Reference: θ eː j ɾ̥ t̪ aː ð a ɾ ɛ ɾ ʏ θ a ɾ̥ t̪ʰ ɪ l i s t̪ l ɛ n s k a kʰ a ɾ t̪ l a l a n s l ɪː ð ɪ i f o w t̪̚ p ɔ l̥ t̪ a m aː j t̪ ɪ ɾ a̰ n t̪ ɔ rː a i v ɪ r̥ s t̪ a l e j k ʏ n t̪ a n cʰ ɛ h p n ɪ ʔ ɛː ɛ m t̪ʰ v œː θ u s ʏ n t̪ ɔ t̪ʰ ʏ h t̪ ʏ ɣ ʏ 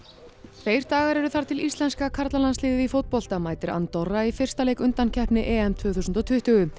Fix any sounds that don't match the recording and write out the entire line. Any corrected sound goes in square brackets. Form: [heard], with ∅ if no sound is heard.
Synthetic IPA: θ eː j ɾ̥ t̪ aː [ɣ] a ɾ ɛ ɾ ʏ θ a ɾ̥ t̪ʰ ɪ l i s t̪ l ɛ n s k a kʰ a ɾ t̪ l a l a n s l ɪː ð ɪ i f o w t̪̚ p ɔ l̥ t̪ a m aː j t̪ ɪ ɾ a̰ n t̪ ɔ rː a i [f] ɪ r̥ s t̪ a l e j k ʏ n t̪ a n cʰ ɛ h p n ɪ ʔ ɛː ɛ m t̪ʰ v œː θ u s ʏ n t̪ ɔ t̪ʰ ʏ h t̪ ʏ ɣ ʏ